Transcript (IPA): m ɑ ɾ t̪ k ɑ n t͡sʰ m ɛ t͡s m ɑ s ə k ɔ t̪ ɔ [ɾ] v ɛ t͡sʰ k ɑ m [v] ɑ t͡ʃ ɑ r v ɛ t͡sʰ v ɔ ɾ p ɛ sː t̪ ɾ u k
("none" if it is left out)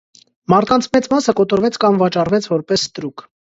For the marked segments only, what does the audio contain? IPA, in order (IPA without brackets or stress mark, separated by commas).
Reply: ɾ, v